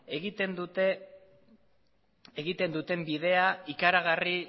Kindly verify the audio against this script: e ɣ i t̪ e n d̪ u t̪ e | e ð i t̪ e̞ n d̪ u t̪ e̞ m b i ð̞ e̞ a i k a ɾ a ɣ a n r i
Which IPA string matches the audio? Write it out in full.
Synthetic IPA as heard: e ɣ i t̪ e n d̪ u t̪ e | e ɣ i t̪ e̞ n d̪ u t̪ e̞ m b i ð̞ e̞ a i k a ɾ a ɣ a r i